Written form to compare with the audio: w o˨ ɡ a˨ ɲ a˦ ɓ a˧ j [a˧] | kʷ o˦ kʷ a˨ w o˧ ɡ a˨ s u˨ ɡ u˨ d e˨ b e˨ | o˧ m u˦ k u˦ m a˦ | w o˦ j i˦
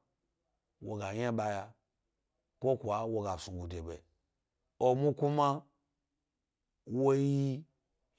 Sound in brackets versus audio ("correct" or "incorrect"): correct